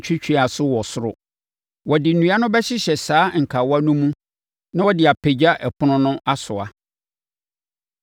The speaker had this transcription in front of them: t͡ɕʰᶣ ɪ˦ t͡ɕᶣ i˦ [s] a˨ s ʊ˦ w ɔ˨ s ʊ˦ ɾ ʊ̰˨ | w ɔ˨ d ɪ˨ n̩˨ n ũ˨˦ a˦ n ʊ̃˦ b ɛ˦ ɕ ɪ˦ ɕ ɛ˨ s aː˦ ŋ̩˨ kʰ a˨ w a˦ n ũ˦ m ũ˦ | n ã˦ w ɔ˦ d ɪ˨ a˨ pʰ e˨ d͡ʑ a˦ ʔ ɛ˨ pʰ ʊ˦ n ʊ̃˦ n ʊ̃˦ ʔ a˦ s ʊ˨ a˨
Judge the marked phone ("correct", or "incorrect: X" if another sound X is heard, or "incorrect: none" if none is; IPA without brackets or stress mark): incorrect: none